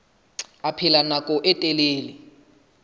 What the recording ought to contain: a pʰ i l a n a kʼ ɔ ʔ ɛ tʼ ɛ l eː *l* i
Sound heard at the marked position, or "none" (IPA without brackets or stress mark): l